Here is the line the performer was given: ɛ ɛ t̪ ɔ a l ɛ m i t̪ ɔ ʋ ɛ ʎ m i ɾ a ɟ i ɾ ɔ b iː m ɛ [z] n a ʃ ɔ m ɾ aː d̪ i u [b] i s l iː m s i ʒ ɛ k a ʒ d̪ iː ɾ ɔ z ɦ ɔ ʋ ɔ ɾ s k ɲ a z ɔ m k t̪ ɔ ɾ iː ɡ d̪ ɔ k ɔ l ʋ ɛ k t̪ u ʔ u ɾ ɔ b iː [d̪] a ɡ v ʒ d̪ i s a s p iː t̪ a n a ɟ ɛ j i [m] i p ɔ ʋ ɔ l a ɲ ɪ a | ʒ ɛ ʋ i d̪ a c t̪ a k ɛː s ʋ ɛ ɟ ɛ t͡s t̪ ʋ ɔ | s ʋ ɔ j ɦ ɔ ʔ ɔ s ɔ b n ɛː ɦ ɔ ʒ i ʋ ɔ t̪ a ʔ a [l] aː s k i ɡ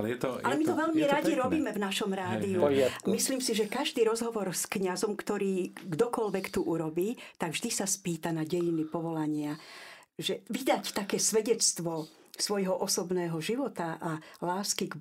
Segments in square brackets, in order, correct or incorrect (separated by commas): incorrect, incorrect, incorrect, incorrect, correct